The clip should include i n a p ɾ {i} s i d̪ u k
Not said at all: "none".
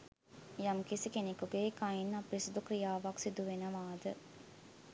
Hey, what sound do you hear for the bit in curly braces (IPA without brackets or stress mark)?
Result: i